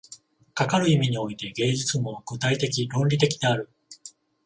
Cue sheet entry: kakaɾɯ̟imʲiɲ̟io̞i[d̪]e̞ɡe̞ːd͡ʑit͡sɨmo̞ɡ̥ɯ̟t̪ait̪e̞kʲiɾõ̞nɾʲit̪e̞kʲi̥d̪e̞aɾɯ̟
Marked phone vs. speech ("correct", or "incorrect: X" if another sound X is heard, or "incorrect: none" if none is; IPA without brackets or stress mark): incorrect: t̪